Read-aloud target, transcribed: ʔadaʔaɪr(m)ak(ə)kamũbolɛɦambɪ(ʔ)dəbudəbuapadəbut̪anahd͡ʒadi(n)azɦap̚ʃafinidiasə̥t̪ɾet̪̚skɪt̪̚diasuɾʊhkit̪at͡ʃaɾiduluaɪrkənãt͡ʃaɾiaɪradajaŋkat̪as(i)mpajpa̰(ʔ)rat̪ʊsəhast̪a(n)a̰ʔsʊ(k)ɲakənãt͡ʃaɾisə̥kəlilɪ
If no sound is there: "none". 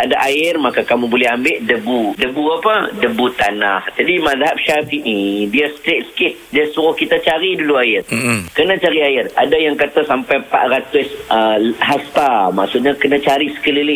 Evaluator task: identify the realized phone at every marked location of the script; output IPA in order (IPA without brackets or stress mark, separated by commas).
m, a, ʔ, m, a, ʔ, m, ʔ